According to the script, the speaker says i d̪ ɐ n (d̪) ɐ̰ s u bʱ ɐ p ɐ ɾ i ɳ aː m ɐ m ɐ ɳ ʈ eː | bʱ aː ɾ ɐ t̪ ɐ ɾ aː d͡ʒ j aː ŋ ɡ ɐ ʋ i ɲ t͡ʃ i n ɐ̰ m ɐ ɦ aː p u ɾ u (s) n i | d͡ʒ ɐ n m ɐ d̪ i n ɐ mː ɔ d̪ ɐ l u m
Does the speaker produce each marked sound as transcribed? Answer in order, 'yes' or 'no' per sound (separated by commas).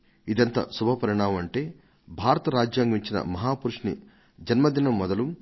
no, no